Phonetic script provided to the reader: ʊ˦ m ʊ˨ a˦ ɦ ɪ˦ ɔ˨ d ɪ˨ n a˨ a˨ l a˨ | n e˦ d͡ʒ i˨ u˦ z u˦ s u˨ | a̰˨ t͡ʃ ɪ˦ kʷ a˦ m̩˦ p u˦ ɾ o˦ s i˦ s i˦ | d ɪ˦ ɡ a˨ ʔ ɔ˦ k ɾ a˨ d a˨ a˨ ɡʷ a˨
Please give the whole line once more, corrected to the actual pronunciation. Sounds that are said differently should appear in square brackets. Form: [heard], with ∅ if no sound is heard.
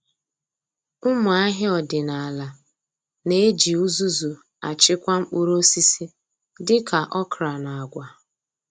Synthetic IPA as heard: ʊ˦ m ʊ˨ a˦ ɦ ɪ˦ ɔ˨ d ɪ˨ n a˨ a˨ l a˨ | n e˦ d͡ʒ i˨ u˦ z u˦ [z] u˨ | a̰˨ t͡ʃ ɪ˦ kʷ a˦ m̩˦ [k͡p] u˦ ɾ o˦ s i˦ s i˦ | d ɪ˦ [k] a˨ ʔ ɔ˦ k ɾ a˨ [n] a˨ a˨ ɡʷ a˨